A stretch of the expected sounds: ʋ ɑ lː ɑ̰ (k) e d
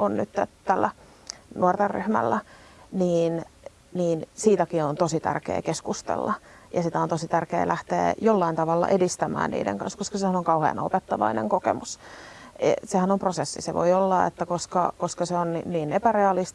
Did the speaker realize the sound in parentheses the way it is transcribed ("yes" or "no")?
no